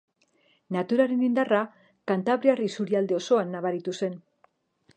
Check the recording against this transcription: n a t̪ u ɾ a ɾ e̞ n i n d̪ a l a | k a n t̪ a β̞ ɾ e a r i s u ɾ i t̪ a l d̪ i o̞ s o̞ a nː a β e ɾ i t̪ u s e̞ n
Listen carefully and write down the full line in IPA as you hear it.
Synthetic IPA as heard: n a t̪ u ɾ a ɾ e̞ n i n d̪ a r a | k a n t̪ a β̞ ɾ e a r i s u ɾ i a l d̪ e o̞ s o̞ a nː a β a ɾ i t̪ u s e̞ n